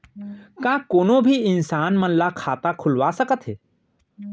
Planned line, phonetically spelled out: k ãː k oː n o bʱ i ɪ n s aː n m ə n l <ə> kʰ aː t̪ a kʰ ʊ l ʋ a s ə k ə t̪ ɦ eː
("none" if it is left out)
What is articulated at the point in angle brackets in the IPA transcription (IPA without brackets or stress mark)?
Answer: a